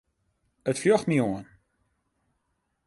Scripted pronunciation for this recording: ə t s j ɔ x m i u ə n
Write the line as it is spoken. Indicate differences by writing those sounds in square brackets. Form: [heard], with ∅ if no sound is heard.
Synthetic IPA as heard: ə t [f] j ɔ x m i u ə n